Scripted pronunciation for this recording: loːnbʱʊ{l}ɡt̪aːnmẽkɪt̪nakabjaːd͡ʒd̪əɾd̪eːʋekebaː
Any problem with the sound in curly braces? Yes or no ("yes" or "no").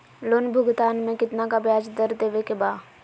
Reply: yes